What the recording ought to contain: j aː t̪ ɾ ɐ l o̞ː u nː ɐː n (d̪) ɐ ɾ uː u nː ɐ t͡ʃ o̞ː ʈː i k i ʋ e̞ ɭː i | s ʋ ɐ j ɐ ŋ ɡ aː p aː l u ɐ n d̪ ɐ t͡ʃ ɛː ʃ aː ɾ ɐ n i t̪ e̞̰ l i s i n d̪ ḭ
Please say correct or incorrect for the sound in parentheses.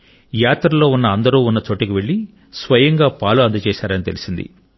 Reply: correct